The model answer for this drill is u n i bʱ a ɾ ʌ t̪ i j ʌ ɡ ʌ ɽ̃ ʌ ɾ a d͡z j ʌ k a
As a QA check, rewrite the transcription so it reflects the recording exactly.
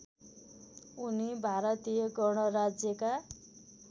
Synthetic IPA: u n i bʱ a ɾ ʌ t̪ i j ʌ ɡ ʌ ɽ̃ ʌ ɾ a d͡z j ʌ k a